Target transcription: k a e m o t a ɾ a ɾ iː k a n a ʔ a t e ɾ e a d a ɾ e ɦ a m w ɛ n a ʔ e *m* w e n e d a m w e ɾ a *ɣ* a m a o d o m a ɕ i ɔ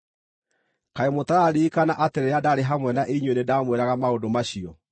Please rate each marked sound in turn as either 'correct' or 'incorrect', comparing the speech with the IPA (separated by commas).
incorrect, correct